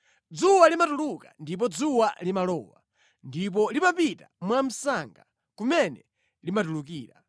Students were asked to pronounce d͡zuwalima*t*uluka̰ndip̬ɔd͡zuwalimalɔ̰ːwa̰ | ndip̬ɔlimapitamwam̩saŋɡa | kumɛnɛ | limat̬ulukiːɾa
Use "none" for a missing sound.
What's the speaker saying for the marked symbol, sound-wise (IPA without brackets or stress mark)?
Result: t